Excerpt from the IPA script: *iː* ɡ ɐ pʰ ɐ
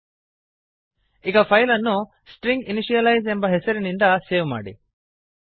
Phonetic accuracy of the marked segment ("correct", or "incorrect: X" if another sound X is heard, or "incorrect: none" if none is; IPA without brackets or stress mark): incorrect: i